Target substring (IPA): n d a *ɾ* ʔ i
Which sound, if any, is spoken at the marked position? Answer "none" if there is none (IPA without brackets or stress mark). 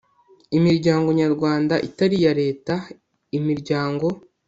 none